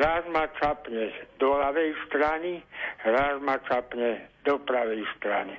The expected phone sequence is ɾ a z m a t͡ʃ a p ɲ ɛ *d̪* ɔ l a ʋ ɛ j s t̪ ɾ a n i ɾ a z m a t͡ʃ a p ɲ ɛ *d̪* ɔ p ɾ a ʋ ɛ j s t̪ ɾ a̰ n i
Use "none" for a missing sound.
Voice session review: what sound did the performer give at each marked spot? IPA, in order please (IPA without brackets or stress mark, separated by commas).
d̪, d̪